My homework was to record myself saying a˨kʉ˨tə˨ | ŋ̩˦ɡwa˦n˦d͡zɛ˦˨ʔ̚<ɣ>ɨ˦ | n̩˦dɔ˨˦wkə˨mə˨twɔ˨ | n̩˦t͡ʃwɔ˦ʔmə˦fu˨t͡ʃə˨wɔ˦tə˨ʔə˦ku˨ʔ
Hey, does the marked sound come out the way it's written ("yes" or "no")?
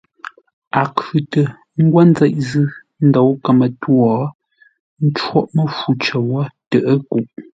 no